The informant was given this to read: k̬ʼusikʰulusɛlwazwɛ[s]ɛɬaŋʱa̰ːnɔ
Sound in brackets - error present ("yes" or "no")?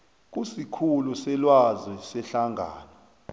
no